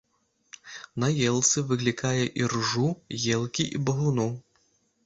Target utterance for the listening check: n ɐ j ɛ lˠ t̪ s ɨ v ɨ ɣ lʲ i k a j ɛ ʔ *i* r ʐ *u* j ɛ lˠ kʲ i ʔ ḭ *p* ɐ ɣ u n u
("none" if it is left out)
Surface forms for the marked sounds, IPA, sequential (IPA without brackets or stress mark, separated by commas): i, u, b